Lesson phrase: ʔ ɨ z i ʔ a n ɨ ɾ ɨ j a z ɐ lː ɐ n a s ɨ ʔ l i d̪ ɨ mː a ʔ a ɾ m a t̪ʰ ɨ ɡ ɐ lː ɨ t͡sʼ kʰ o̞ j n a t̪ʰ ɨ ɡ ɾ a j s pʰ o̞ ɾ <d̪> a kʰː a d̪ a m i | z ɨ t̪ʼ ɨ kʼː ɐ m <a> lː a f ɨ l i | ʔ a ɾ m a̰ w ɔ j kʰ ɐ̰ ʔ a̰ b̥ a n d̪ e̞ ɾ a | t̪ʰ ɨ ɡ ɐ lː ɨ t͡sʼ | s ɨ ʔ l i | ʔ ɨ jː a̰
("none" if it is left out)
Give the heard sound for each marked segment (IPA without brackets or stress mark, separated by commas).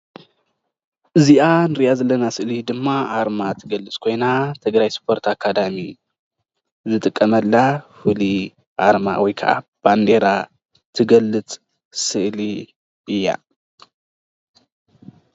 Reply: t̪, ɐ